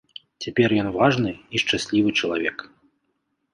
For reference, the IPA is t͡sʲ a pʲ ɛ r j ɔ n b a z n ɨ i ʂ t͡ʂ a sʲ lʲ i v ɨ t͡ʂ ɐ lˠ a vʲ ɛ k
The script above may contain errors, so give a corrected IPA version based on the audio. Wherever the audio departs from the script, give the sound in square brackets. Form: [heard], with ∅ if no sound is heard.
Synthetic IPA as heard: t͡sʲ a pʲ ɛ r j ɔ n [v] a [ʐ] n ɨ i ʂ t͡ʂ a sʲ lʲ i v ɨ t͡ʂ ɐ lˠ a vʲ ɛ k

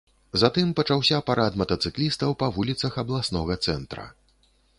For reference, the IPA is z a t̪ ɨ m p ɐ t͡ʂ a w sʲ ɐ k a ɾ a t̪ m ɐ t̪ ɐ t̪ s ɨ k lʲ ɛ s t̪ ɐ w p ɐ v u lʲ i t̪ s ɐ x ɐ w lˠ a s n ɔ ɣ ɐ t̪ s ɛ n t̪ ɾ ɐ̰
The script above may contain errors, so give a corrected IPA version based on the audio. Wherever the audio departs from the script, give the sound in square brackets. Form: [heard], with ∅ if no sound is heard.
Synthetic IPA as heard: z a t̪ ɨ m p ɐ t͡ʂ a w sʲ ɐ [p] a ɾ a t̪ m ɐ t̪ ɐ t̪ s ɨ k lʲ [i] s t̪ ɐ w p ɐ v u lʲ i t̪ s ɐ x ɐ [b] lˠ a s n ɔ ɣ ɐ t̪ s ɛ n t̪ ɾ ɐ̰

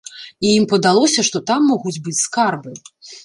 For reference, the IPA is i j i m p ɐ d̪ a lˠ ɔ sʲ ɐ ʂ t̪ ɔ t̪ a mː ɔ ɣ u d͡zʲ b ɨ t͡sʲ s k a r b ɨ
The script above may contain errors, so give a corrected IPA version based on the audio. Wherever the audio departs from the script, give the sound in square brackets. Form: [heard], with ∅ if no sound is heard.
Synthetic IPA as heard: i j i m p ɐ d̪ a lˠ ɔ sʲ ɐ ʂ t̪ ɔ t̪ a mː ɔ ɣ u d͡zʲ b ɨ t͡sʲ s k a r b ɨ

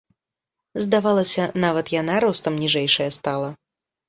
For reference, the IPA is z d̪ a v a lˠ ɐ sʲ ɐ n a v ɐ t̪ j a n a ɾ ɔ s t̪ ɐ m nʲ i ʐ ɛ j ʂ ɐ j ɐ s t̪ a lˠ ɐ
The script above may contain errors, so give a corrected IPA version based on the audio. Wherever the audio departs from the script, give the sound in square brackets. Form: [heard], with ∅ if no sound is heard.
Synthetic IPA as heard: z d̪ a v a lˠ ɐ sʲ ɐ n a v ɐ t̪ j a n a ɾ ɔ s t̪ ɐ m nʲ i ʐ ɛ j ʂ ɐ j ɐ s t̪ a lˠ ɐ

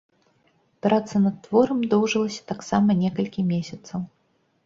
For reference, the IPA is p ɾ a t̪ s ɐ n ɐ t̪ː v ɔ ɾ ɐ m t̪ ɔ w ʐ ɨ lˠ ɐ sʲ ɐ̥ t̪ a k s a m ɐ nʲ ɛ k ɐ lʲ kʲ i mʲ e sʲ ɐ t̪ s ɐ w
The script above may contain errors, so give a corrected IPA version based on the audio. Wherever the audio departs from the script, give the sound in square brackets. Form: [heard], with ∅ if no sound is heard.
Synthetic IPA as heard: p ɾ a t̪ s ɐ n ɐ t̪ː v ɔ ɾ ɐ m [d̪] ɔ w ʐ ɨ lˠ ɐ sʲ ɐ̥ t̪ a k s a m ɐ nʲ ɛ k ɐ lʲ kʲ i mʲ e sʲ ɐ t̪ s ɐ w

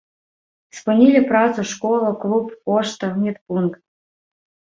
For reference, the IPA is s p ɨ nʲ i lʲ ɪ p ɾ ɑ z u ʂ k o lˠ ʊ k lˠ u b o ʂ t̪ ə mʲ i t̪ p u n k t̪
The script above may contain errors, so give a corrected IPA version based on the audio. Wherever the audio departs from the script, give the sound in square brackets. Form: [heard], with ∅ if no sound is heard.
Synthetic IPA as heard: s p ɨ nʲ i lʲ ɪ p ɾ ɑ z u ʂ k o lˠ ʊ k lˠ u [p] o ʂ t̪ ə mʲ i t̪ p u n k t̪

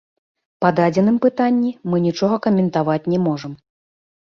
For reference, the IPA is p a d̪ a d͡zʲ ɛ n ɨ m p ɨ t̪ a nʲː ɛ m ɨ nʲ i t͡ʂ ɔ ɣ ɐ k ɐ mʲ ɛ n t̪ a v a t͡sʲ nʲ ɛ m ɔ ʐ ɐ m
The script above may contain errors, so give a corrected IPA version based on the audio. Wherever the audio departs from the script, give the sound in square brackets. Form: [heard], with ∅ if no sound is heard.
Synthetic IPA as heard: p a d̪ a d͡zʲ ɛ n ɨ m p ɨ t̪ a nʲː [i] m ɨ nʲ i t͡ʂ ɔ ɣ ɐ k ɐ mʲ ɛ n t̪ a v a t͡sʲ nʲ ɛ m ɔ ʐ ɐ m

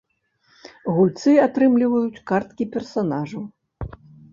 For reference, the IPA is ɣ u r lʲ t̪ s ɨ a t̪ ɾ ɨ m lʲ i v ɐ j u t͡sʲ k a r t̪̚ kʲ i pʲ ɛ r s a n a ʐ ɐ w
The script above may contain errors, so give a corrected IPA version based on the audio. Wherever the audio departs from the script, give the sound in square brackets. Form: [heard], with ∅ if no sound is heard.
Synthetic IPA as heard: ɣ u [∅] lʲ t̪ s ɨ a t̪ ɾ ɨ m lʲ i v ɐ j u t͡sʲ k a r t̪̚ kʲ i pʲ ɛ r s a n a ʐ ɐ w

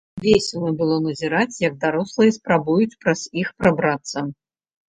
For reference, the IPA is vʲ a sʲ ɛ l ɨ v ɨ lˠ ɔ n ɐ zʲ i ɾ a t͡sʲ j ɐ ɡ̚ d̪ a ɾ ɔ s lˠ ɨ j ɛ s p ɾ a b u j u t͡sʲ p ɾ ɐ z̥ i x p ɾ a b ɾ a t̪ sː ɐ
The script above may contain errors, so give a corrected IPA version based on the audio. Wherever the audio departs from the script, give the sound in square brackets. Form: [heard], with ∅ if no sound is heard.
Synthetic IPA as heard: vʲ [e] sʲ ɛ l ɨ [b] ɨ lˠ ɔ n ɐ zʲ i ɾ a t͡sʲ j ɐ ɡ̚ d̪ a ɾ ɔ s lˠ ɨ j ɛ s p ɾ a b u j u t͡sʲ p ɾ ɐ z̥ i x p ɾ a b ɾ a t̪ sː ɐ

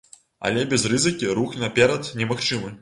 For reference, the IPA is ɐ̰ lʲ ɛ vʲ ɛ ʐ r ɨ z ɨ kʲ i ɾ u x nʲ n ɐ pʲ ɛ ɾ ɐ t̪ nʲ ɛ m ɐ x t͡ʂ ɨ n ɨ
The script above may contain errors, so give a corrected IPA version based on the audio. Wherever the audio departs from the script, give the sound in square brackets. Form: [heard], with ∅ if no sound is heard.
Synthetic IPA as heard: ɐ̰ lʲ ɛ [bʲ] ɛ [z] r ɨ z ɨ kʲ i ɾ u x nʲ n ɐ pʲ ɛ ɾ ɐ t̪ nʲ ɛ m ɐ x t͡ʂ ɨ [m] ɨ

